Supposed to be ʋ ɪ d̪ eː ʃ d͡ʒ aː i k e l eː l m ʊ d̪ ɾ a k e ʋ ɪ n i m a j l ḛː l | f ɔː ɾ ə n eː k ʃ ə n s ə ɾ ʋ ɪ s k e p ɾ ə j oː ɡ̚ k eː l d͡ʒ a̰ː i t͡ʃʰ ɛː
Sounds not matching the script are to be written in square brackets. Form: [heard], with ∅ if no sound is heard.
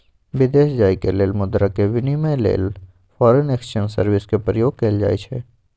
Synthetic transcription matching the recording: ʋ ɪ d̪ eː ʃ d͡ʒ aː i k e l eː l m ʊ d̪ ɾ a k e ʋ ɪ n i m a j l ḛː l | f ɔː ɾ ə n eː k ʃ ə n s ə ɾ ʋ ɪ s k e p ɾ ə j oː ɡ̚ k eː l d͡ʒ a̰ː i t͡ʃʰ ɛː